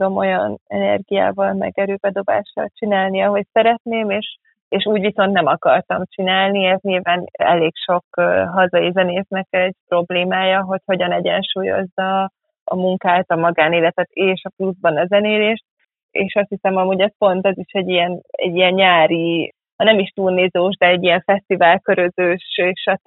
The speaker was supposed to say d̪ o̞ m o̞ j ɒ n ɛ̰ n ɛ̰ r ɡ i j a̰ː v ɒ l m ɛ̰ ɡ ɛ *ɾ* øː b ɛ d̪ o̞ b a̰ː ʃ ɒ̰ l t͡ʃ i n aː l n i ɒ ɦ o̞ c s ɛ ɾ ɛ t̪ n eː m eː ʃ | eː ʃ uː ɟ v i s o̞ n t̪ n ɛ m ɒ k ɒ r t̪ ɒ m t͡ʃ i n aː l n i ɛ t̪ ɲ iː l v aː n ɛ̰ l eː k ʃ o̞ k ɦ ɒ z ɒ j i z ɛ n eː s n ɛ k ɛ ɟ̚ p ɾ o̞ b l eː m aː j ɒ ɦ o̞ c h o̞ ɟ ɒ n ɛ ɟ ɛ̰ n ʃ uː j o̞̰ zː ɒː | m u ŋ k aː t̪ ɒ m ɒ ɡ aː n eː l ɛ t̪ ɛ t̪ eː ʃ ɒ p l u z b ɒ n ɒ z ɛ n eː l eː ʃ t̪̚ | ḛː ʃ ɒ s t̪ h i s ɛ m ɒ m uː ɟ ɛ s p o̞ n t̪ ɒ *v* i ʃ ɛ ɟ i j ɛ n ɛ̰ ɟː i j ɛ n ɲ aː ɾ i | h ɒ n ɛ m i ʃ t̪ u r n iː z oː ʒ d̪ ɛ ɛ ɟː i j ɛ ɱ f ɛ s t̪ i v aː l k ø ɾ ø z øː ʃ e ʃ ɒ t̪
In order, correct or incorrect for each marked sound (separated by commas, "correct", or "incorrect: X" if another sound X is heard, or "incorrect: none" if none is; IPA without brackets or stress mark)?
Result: correct, incorrect: z